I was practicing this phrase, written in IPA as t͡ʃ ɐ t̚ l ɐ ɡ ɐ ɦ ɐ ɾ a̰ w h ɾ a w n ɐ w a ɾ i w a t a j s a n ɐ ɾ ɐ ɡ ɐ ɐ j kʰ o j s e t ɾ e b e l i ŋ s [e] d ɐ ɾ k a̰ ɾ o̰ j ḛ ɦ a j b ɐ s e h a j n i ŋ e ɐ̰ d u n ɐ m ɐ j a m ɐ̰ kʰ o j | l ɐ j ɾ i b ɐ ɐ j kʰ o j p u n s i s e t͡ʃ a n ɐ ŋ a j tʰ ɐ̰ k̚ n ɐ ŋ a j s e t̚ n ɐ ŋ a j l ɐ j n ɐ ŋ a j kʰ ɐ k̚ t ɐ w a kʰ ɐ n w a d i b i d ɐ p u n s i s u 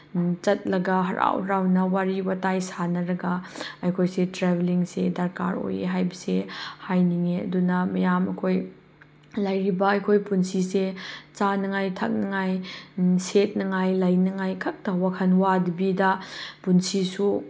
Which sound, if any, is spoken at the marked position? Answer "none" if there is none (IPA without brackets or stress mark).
e